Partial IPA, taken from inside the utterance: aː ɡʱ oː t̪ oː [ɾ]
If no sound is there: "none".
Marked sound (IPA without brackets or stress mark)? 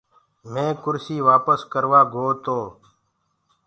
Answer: none